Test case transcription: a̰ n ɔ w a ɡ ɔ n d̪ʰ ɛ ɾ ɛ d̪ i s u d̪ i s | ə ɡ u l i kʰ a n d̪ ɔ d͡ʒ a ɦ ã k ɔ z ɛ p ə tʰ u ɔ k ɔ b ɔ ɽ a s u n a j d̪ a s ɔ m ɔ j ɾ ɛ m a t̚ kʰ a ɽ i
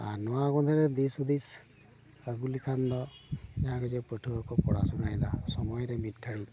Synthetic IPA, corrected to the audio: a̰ n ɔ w a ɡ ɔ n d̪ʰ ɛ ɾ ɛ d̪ i s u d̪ i s | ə ɡ u l i kʰ a n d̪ ɔ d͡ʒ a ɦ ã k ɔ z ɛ p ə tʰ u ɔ k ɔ p ɔ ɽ a s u n a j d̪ a s ɔ m ɔ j ɾ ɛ m i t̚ kʰ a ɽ i